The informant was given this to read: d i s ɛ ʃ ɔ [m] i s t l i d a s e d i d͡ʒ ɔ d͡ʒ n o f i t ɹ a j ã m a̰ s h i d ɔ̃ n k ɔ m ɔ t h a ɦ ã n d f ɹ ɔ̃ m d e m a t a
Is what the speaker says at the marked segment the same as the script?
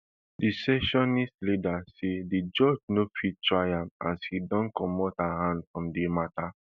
no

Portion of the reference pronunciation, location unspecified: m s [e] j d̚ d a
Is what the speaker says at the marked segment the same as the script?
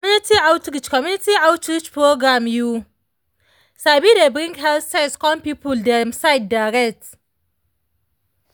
no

